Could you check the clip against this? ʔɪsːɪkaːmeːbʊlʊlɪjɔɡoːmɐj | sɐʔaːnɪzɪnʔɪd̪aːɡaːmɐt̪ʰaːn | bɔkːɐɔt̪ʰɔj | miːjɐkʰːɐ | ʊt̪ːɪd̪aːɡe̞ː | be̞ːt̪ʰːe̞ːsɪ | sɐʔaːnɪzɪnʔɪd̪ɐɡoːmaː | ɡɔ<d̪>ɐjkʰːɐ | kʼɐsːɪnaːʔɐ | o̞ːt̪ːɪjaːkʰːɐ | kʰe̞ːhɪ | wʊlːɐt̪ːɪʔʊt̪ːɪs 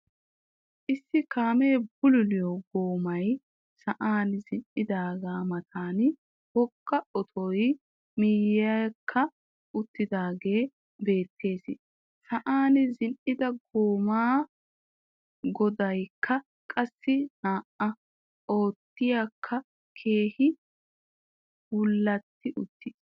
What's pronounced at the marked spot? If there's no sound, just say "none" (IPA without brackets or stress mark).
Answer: d̪